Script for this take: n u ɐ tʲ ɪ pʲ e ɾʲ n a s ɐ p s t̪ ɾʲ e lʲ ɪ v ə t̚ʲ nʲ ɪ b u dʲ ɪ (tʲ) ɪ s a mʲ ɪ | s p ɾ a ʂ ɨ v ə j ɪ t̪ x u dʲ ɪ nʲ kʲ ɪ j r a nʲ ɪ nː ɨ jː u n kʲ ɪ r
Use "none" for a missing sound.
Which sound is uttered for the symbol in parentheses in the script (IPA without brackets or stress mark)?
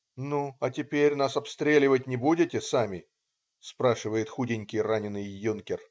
tʲ